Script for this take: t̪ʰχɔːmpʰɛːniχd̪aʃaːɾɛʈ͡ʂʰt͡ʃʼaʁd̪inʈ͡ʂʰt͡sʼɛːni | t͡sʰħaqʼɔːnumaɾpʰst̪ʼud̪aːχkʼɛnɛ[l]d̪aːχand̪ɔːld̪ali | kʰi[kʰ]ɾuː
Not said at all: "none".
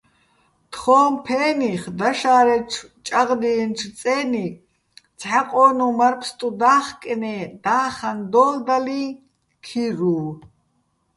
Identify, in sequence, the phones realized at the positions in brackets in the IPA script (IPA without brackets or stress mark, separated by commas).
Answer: none, none